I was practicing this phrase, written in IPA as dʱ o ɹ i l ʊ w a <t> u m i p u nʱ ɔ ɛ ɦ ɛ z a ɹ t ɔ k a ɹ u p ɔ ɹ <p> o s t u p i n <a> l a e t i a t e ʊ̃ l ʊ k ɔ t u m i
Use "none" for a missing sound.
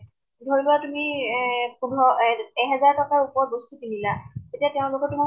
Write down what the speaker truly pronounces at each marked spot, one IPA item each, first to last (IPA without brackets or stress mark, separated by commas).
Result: t, b, i